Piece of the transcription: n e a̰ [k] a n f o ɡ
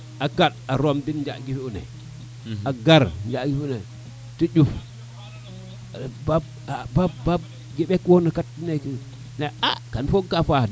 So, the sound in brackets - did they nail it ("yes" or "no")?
yes